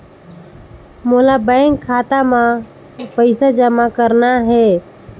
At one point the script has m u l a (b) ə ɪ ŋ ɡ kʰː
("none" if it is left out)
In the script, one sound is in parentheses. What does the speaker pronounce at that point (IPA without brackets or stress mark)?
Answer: b